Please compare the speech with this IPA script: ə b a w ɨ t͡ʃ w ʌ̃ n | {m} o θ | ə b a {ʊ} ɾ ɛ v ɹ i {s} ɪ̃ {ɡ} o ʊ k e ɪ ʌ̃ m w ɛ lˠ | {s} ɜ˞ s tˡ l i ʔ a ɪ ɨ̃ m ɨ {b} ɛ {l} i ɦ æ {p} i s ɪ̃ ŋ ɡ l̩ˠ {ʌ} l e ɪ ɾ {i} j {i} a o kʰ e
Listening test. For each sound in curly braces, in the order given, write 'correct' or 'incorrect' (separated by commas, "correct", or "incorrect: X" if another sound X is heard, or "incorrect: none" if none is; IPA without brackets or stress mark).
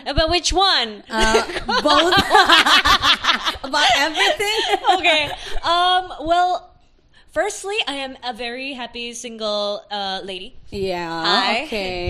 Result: incorrect: b, correct, incorrect: θ, incorrect: ŋ, incorrect: f, incorrect: v, incorrect: ɹ, correct, correct, correct, incorrect: æ